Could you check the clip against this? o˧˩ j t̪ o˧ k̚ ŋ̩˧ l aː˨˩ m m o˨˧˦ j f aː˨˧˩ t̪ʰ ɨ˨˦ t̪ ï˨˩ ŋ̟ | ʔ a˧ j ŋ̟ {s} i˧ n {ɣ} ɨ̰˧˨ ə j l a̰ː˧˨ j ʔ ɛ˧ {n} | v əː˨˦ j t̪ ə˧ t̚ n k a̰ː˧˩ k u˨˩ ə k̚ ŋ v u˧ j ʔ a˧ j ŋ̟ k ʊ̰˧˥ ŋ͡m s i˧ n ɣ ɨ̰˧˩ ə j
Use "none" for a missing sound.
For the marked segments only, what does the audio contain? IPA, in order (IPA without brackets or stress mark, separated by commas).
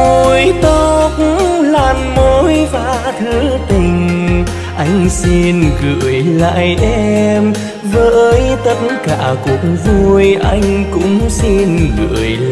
s, ɣ, m